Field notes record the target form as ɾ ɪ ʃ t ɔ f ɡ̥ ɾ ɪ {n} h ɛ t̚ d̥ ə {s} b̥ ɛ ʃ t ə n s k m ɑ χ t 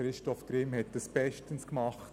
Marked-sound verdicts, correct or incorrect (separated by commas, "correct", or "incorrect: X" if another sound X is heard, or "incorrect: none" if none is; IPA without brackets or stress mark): incorrect: m, correct